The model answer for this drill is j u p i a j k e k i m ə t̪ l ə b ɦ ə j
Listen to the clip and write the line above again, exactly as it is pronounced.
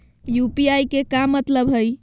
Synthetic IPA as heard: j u p i a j k e k a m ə t̪ l ə b ɦ ə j

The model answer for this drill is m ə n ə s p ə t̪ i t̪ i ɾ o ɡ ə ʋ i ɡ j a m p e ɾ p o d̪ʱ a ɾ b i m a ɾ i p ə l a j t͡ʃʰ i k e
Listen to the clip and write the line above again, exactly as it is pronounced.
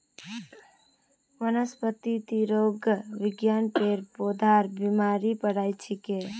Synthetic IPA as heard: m ə n ə s p ə t̪ i t̪ i ɾ o ɡ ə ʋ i ɡ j a n p e ɾ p o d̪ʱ a ɾ b i m a ɾ i p ə ɽ a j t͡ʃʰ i k e

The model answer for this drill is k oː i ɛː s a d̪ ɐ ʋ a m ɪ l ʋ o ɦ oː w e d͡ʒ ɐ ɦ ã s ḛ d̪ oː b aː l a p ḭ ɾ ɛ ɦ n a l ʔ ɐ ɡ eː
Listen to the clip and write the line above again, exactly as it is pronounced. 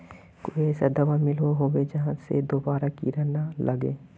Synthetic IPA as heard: k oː i ɛː s a d̪ ɐ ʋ a m ɪ l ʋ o ɦ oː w e d͡ʒ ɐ ɦ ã s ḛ d̪ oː b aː ɾ a k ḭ ɾ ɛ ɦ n a l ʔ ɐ ɡ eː

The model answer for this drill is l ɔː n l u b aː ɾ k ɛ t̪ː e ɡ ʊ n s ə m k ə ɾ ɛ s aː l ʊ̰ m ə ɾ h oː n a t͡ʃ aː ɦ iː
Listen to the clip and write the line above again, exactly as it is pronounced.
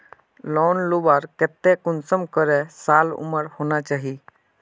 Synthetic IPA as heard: l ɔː n l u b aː ɾ k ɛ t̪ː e k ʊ n s ə m k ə ɾ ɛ s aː l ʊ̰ m ə ɾ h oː n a t͡ʃ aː ɦ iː

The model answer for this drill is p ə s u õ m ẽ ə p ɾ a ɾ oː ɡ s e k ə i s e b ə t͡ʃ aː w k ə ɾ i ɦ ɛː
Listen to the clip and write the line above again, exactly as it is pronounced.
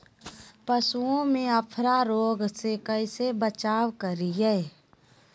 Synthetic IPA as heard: p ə s u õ m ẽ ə pʰ ɾ a ɾ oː ɡ s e k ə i s e b ə t͡ʃ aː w k ə ɾ i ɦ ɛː

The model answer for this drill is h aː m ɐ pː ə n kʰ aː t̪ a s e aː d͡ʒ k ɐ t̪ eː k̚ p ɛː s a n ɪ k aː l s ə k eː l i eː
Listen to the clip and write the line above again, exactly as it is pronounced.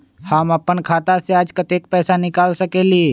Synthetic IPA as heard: h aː m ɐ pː ə n kʰ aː t̪ a s e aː d͡ʒ k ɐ t̪ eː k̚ p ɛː s a n ɪ k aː l s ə k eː l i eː

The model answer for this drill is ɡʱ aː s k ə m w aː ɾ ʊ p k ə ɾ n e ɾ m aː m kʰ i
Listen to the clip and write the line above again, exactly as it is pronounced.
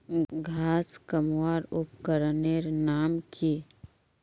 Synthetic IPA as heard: ɡʱ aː s k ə m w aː ɾ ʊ p k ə ɾ n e ɾ n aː m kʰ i

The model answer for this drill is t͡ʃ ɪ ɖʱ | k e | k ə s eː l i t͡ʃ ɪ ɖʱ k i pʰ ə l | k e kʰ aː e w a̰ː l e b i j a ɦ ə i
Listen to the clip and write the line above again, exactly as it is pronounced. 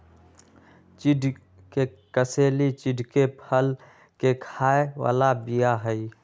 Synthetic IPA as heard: t͡ʃ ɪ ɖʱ | k e | k ə s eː l i t͡ʃ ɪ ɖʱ k e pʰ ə l | k e kʰ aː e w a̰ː l a b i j a ɦ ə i

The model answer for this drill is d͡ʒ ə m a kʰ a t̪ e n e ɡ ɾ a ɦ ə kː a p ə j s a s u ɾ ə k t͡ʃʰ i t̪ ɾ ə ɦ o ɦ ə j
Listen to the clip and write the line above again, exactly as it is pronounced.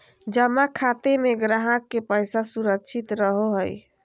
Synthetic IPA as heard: d͡ʒ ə m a kʰ a t̪ e m e ɡ ɾ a ɦ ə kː e p ə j s a s u ɾ ə k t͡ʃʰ i t̪ ɾ ə ɦ o ɦ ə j

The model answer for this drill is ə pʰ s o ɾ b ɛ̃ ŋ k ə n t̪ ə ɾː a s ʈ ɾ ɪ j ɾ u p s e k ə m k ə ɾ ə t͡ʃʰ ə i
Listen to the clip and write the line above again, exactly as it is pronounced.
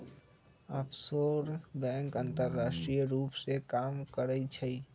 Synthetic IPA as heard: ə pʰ s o ɾ b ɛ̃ ŋ k ə n t̪ ə ɾː a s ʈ ɾ i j ɾ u p s e k a m k ə ɾ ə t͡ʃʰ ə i

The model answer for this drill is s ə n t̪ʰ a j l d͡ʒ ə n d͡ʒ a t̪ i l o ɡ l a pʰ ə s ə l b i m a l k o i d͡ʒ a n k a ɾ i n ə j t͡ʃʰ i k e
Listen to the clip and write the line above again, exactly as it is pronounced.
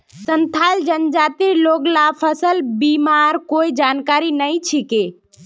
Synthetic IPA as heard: s ə n t̪ʰ a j l d͡ʒ ə n d͡ʒ a t̪ i l o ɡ l a pʰ ə s ə l b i m a ɾ k o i d͡ʒ a n k a ɾ i n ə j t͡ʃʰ i k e

